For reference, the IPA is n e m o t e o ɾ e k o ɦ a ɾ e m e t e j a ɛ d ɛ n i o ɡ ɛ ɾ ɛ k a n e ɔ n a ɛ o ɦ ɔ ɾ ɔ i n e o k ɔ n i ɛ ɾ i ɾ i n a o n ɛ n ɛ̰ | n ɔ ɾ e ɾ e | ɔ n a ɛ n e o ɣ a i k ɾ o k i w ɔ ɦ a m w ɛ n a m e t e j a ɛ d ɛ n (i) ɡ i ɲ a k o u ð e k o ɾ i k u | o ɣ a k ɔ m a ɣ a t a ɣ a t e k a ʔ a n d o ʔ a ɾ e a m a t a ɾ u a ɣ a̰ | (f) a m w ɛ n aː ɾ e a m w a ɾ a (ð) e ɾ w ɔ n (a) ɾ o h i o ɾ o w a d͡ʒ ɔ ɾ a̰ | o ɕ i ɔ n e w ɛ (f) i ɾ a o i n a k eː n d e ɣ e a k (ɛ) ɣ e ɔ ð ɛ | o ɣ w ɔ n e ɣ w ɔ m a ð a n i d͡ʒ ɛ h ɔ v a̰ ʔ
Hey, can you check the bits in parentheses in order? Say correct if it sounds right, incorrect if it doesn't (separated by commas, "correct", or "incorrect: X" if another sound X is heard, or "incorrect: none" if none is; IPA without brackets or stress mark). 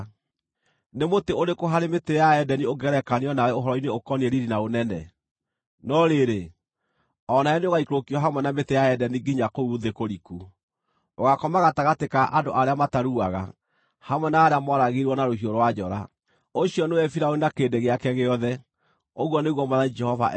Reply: correct, incorrect: h, incorrect: ɣ, correct, correct, correct